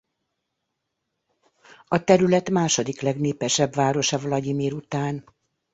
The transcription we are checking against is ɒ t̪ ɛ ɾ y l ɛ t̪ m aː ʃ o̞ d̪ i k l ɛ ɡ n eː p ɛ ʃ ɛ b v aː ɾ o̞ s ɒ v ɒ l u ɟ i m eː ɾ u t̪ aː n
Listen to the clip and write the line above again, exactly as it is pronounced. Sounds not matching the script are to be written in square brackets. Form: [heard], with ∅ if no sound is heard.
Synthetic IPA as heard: ɒ t̪ ɛ ɾ y l ɛ t̪ m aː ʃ o̞ d̪ i k l ɛ ɡ n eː p ɛ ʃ ɛ b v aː ɾ o̞ [ʃ] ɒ v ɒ l [ɒ] ɟ i m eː ɾ u t̪ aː n